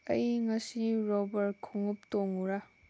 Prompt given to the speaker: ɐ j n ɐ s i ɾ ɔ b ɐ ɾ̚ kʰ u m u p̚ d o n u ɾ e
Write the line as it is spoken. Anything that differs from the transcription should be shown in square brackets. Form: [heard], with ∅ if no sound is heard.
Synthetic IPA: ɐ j [ŋ] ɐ s i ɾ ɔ b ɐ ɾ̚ kʰ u [ŋ] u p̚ [t] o [ŋ] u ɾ [a]